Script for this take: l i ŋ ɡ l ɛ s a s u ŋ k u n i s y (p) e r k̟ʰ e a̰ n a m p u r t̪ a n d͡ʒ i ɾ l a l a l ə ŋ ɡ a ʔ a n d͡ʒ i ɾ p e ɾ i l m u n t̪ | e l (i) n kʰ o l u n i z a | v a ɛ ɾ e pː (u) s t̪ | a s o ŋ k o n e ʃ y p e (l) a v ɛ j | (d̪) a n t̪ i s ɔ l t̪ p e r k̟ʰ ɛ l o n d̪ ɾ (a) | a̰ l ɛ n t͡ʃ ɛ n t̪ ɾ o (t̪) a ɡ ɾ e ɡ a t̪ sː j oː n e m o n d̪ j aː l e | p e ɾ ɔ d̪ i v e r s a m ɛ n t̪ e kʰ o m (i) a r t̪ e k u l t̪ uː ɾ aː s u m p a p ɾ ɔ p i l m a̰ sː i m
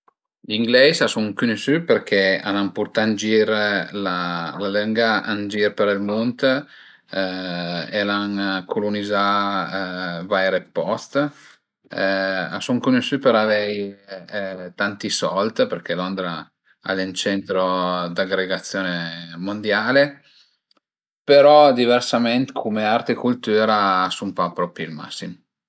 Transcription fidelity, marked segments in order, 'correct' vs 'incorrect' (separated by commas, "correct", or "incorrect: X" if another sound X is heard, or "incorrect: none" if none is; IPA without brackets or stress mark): correct, incorrect: a, incorrect: ɔ, incorrect: ɾ, incorrect: t̪, correct, incorrect: d̪, incorrect: e